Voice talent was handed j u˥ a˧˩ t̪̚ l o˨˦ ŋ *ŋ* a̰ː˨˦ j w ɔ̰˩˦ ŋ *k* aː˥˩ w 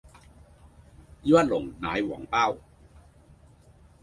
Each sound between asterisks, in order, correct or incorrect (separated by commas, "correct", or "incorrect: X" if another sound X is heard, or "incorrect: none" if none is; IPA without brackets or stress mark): incorrect: n, incorrect: p